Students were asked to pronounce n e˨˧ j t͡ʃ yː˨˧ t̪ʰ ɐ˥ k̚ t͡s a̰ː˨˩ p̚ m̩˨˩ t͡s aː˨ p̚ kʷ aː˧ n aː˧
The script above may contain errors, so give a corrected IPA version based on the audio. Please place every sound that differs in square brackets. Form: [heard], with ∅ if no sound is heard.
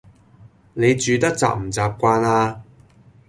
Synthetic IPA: n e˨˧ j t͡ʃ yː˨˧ [t̪] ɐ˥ k̚ t͡s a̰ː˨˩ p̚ m̩˨˩ t͡s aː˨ p̚ kʷ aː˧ n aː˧